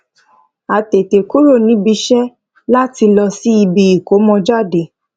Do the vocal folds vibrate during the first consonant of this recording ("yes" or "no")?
no